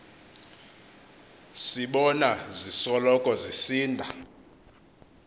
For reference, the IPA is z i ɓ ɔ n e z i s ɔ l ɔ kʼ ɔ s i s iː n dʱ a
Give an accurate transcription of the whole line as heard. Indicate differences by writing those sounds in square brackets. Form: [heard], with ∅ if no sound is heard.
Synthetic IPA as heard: [s] i ɓ ɔ n [a] z i s ɔ l ɔ kʼ ɔ [z] i s iː n dʱ a